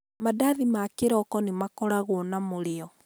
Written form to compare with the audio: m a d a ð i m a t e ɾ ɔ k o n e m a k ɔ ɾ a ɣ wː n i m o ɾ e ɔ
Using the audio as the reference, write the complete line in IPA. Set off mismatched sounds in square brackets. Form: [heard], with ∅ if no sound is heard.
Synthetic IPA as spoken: m a d a ð i m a [k] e ɾ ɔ k [ɔ] n e m a k ɔ ɾ a ɣ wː n [a] m o ɾ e ɔ

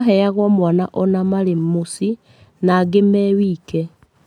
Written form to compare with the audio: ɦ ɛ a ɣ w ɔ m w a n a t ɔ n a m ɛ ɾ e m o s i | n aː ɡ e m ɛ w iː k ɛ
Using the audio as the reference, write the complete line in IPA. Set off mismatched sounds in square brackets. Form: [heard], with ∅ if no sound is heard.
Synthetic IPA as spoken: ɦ ɛ a ɣ w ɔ m w a n a [ʔ] ɔ n a m [a] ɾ e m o s i | n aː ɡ e m ɛ w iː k ɛ

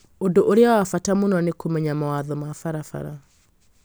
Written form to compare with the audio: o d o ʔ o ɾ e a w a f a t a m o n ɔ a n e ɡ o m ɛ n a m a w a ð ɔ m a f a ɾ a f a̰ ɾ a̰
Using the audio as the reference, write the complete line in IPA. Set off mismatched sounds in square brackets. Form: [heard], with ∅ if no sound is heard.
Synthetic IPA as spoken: o d o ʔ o ɾ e a w a f a t a m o n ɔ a n e [k] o m ɛ [ɲ] a m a w a ð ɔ m a f a ɾ a f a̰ ɾ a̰

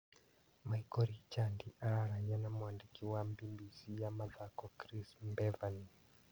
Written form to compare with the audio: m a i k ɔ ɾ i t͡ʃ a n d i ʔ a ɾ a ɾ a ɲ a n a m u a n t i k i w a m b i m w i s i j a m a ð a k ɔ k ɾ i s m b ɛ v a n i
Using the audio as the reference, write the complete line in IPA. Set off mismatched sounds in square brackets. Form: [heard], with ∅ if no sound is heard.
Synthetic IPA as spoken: m a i k ɔ ɾ i t͡ʃ a n d i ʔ a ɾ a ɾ a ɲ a n a m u a n [d] i k i w a m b i m [b] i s i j a m a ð a k ɔ k ɾ i s m b ɛ v a n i

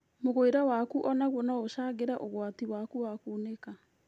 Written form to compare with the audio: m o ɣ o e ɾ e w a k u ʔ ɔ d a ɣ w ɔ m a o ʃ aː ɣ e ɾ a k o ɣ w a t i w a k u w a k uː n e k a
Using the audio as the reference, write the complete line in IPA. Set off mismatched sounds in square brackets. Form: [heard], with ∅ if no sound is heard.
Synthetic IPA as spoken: m o ɣ o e ɾ [a] w a k u ʔ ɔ [n] a ɣ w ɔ [n] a o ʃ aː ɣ e ɾ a [ʔ] o ɣ w a t i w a k u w a k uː n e k a

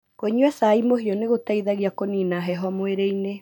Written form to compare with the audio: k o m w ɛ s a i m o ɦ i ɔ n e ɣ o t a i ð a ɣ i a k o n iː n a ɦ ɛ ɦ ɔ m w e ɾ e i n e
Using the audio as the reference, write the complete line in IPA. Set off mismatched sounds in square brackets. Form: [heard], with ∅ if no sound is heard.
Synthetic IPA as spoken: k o [ɲ] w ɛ s a i m o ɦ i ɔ n e ɣ o t a i ð a ɣ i a k o n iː n a ɦ ɛ ɦ ɔ m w e ɾ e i n e

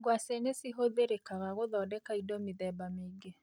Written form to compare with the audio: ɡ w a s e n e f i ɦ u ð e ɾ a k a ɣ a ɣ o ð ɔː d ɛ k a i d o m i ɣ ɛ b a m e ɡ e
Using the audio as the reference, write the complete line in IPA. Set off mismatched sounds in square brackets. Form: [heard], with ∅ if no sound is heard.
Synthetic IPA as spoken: ɡ w a s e n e [s] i ɦ [o] ð e ɾ [e] k a ɣ a ɣ o ð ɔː d ɛ k a i d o m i [ð] ɛ b a m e ɡ e

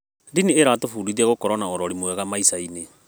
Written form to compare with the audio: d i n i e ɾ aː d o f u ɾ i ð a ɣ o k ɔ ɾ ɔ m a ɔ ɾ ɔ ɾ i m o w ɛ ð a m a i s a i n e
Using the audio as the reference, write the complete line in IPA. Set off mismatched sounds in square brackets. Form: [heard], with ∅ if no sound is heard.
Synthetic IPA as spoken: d i n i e ɾ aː [t] o f u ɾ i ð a ɣ o k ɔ ɾ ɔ [n] a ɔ ɾ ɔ ɾ i m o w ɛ [ɣ] a m a i s a i n e

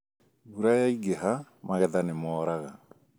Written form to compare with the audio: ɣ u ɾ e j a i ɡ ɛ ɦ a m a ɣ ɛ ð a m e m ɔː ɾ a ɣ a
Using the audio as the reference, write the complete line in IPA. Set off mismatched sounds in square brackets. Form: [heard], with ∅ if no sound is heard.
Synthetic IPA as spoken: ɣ u ɾ [a] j a i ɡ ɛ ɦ a m a ɣ ɛ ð a [n] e m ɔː ɾ a ɣ a

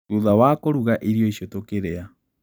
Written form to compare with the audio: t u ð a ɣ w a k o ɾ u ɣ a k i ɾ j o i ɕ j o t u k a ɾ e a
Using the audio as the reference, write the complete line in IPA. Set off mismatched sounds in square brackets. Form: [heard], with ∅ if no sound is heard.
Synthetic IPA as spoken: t u ð a [∅] w a k o ɾ u ɣ a [ʔ] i ɾ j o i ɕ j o t [o] k [e] ɾ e a

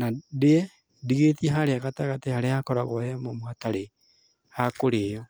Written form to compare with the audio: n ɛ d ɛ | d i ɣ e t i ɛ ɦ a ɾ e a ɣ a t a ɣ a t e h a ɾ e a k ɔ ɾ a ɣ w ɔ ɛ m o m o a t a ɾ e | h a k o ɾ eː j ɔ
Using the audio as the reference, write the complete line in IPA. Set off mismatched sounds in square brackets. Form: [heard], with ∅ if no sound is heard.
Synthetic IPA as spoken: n [a] d ɛ | d i ɣ e t i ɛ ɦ a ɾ e a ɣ a t a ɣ a t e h a ɾ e a k ɔ ɾ a ɣ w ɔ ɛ m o m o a t a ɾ e | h a k o ɾ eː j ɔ

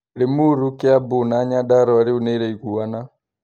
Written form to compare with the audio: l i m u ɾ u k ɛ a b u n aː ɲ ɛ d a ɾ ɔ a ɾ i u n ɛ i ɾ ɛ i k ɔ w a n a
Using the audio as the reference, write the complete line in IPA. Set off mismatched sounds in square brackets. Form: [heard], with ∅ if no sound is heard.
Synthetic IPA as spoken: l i m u ɾ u k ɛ a b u n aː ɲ [a] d a ɾ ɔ a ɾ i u n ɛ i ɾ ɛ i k [u] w a n a

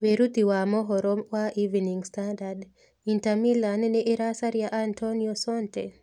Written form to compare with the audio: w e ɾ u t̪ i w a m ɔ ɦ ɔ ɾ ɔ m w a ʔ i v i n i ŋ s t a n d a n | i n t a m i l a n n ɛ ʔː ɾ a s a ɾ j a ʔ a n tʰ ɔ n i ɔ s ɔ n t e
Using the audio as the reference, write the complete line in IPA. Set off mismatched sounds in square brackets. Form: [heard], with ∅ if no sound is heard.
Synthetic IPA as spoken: w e ɾ u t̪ i w a m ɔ ɦ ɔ ɾ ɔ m w a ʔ i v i n i ŋ s t a n d a [d] | i n t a m i l a n n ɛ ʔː ɾ a s a ɾ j a ʔ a n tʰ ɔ n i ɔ s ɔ n t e

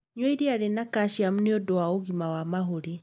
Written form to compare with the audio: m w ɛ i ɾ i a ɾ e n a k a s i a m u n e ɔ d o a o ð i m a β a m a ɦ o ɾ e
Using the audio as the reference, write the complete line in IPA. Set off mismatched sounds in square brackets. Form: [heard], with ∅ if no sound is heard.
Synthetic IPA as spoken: [ɲ] w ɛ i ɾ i a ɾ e n a k a [ʃ] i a m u n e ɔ d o a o [ɣ] i m a [w] a m a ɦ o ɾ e

